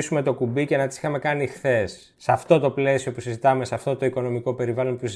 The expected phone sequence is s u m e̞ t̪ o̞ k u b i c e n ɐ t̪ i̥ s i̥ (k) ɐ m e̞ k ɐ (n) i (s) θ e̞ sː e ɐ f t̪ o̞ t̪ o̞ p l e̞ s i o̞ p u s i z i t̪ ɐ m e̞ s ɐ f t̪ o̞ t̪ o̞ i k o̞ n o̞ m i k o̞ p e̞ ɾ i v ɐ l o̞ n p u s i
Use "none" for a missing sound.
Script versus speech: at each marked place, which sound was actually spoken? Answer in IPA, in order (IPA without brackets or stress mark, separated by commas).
x, n, x